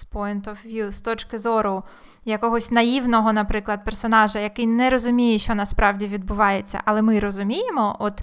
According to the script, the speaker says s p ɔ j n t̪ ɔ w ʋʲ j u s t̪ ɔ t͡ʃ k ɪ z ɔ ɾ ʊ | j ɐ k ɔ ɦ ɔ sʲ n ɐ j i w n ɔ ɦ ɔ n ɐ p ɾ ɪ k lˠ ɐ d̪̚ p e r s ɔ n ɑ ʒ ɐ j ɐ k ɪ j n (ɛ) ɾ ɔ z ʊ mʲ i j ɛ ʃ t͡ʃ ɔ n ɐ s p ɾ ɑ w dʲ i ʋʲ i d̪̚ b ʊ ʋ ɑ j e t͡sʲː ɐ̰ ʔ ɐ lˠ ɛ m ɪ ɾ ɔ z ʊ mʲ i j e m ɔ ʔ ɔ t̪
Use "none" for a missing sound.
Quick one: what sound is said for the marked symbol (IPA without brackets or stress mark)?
ɛ